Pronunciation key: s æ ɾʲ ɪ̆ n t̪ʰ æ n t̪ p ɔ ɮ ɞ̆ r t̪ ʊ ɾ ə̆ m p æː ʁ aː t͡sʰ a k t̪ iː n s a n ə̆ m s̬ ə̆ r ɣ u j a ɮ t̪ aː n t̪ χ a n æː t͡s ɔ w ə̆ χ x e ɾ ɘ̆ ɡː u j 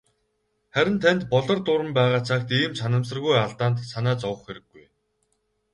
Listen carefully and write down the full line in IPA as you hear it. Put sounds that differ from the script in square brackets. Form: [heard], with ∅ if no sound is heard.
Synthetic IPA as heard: [χ] æ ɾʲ ɪ̆ n t̪ʰ æ n t̪ p ɔ ɮ ɞ̆ r t̪ ʊ ɾ ə̆ m p æː ʁ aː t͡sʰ a k t̪ iː [m] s a n ə̆ m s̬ ə̆ r ɣ u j a ɮ t̪ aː n t̪ [s] a n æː t͡s ɔ w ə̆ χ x e ɾ ɘ̆ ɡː u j